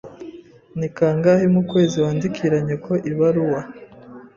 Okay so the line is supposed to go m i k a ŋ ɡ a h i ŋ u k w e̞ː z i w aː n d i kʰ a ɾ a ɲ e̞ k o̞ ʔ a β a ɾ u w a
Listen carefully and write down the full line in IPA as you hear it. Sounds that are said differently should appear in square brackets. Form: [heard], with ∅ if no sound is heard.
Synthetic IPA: [n] i k a ŋ ɡ a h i [m] u k w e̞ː z i w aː n d i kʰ [i] ɾ a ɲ e̞ k o̞ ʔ [i] β a ɾ u w a